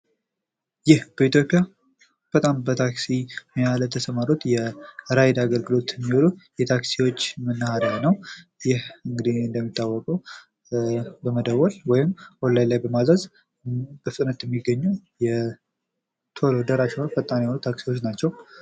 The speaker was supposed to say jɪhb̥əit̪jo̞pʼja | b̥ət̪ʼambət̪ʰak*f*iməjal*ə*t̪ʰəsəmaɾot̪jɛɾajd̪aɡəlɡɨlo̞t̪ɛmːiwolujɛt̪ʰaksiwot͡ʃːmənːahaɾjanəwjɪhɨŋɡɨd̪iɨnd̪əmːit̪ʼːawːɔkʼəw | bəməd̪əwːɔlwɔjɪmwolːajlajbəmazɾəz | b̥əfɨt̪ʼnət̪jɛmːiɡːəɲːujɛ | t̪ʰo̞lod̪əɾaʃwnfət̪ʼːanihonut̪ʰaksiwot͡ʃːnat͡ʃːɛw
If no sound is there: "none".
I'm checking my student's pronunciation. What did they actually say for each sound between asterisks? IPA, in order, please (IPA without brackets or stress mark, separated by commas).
s, ə